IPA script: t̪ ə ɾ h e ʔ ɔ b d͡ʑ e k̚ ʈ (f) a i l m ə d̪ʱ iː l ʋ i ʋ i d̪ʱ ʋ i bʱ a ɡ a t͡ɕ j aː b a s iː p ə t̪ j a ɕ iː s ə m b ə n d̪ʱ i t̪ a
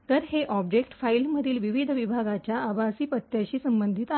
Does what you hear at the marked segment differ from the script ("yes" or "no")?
no